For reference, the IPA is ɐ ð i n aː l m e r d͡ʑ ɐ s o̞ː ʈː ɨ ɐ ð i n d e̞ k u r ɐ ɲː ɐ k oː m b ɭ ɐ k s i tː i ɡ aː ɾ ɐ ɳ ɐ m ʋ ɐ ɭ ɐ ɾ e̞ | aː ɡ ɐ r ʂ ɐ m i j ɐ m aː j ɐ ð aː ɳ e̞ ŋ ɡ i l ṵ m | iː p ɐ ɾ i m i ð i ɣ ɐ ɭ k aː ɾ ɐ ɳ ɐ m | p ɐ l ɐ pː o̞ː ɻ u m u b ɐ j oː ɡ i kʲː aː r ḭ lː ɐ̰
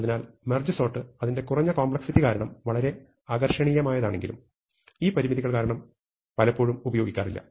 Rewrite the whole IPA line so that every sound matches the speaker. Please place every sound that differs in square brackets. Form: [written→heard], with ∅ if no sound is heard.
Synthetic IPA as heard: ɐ ð i n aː l m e r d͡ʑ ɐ s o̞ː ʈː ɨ ɐ ð i n d e̞ k u r ɐ ɲː ɐ k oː m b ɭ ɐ k s i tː i [ɡ→k] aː ɾ ɐ ɳ ɐ m ʋ ɐ ɭ ɐ ɾ e̞ | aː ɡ ɐ r ʂ ɐ [m→ɳ] i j ɐ m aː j ɐ ð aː ɳ e̞ ŋ ɡ i l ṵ m | iː p ɐ ɾ i m i ð i ɣ ɐ ɭ k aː ɾ ɐ ɳ ɐ m | p ɐ l ɐ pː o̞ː ɻ u m u b ɐ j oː ɡ i kʲː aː r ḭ lː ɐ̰